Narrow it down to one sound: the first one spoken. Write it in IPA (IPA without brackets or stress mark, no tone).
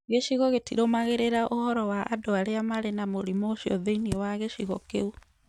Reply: ɣ